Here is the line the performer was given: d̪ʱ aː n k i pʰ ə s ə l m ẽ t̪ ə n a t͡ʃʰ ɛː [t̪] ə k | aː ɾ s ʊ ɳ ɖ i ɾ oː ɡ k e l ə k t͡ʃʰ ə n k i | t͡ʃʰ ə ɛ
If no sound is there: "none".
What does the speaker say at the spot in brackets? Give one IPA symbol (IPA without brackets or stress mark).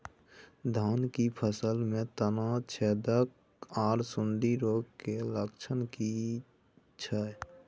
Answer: d̪